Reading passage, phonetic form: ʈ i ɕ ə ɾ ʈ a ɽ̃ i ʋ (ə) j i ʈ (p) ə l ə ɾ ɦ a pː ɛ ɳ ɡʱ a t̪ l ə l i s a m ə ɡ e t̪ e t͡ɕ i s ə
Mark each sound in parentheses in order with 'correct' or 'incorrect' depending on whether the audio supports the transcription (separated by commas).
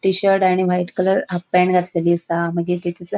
incorrect, incorrect